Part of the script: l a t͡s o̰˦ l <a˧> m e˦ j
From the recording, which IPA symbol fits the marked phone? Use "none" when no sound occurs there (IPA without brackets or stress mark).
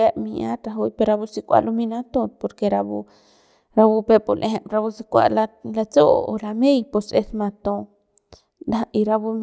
a˧